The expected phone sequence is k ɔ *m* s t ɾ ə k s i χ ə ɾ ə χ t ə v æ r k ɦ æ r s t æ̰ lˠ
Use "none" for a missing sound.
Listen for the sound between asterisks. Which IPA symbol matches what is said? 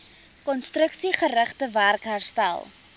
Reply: n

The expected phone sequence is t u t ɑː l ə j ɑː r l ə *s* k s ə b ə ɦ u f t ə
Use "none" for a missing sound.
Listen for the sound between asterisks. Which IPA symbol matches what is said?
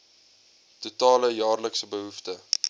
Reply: none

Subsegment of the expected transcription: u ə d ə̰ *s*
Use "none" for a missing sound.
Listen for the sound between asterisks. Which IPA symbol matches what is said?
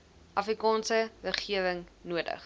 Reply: χ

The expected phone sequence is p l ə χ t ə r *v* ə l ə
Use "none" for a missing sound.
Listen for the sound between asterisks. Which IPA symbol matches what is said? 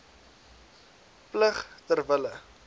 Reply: v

